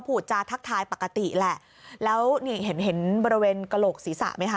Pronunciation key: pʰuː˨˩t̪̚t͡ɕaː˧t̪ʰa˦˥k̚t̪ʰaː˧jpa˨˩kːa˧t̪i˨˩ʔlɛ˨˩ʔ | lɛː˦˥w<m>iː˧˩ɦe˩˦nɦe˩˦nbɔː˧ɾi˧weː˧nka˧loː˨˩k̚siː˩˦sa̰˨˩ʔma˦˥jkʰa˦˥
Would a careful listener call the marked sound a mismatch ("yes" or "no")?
yes